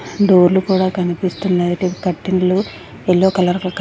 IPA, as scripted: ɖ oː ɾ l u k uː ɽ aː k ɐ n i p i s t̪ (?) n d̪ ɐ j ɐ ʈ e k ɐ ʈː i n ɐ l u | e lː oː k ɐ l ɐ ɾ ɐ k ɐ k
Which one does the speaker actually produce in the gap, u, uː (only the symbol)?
u